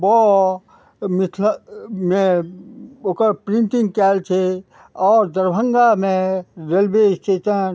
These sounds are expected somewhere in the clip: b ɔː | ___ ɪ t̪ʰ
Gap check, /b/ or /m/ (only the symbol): m